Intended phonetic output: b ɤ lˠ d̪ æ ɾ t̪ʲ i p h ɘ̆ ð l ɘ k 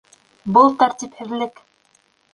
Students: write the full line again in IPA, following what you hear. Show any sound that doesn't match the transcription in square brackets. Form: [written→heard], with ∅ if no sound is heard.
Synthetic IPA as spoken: b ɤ lˠ [d̪→t̪] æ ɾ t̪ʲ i p h ɘ̆ ð l ɘ k